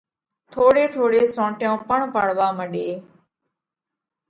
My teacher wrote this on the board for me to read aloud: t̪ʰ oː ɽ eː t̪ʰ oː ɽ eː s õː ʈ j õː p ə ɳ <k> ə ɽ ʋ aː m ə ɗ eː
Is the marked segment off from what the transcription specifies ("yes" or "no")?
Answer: yes